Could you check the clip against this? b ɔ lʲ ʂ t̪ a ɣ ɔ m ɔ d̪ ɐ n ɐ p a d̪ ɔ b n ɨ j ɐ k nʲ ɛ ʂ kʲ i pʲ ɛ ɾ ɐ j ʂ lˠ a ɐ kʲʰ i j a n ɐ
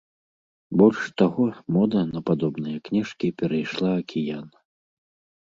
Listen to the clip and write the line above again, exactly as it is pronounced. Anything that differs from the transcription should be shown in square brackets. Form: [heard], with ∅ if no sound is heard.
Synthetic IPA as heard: b ɔ lʲ ʂ t̪ a ɣ ɔ m ɔ d̪ ɐ n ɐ p a d̪ ɔ b n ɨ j ɐ k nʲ ɛ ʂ kʲ i pʲ ɛ ɾ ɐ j ʂ lˠ a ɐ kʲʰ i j a n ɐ